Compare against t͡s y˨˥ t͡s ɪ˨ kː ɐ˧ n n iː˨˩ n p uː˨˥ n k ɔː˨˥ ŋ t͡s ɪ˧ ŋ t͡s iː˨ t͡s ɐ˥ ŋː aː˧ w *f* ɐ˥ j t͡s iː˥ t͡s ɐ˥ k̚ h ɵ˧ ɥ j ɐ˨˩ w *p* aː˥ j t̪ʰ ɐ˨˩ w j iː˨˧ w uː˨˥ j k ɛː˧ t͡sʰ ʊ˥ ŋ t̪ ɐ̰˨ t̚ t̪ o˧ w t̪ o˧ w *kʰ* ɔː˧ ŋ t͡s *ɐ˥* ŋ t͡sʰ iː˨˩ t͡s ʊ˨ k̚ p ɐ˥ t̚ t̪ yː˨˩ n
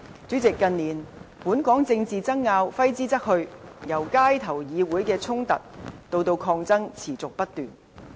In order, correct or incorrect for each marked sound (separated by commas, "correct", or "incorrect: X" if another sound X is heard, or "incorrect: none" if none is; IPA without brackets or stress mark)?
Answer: correct, incorrect: k, correct, correct